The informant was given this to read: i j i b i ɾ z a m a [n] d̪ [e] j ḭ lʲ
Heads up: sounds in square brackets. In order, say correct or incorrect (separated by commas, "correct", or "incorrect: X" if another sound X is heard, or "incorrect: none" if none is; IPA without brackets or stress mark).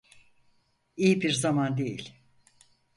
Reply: correct, correct